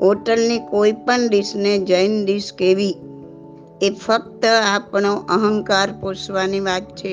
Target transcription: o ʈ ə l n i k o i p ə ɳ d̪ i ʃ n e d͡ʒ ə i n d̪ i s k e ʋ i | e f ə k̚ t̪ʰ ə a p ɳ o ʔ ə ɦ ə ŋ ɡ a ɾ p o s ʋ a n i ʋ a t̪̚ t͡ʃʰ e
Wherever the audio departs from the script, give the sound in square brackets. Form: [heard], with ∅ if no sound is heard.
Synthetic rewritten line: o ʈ ə l n i k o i p ə ɳ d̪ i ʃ n e d͡ʒ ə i n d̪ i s k e ʋ i | e f ə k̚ [t̪] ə a p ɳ o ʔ ə ɦ ə ŋ [k] a ɾ p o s ʋ a n i ʋ a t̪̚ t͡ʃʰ e